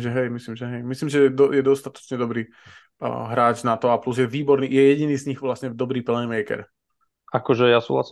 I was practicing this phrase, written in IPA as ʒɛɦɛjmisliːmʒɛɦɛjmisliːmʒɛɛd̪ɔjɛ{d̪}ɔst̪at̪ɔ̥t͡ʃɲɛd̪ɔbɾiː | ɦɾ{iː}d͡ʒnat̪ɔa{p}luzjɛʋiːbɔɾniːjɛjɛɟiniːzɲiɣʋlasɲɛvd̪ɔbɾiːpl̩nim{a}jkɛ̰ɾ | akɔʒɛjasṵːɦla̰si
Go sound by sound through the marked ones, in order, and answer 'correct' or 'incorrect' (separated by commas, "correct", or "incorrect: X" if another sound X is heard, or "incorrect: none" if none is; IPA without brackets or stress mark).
correct, incorrect: aː, correct, incorrect: ɛ